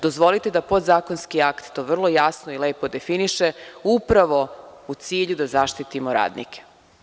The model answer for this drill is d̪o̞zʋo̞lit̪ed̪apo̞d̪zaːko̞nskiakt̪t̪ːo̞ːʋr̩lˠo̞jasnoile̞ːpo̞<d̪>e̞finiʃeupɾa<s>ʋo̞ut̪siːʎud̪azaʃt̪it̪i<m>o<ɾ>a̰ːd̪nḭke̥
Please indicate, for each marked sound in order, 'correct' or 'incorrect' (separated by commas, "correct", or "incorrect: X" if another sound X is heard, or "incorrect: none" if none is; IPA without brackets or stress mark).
correct, incorrect: none, correct, correct